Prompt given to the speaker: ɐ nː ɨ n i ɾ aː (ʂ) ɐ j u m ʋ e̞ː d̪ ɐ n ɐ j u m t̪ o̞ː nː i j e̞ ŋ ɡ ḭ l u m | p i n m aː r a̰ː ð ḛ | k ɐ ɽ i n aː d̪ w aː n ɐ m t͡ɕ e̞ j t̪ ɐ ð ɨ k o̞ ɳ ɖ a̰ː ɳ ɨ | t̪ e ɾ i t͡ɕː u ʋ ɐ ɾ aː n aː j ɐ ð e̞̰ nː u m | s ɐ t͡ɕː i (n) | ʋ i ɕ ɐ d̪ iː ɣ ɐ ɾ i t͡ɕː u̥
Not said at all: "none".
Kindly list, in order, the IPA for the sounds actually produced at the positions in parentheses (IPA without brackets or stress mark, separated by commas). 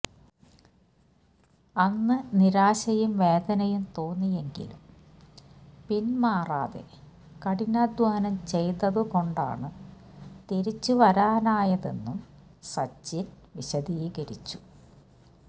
ɕ, n